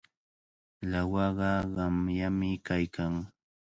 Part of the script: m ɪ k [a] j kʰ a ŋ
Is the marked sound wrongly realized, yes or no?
no